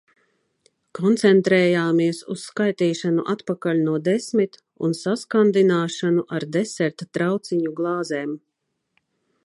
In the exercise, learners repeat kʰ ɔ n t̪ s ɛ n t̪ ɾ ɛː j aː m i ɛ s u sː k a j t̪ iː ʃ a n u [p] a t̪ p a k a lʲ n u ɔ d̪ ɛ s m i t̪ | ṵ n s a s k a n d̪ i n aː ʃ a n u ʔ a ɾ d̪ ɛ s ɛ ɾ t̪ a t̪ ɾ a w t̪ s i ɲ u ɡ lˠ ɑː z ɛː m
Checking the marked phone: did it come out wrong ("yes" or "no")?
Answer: yes